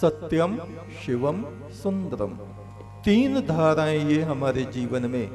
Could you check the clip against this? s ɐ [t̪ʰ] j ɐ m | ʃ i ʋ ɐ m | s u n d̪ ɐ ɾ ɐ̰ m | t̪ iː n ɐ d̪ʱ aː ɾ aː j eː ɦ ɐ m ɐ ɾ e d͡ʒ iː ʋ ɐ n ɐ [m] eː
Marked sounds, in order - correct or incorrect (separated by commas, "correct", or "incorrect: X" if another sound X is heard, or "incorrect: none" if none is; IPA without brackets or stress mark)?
incorrect: t̪, correct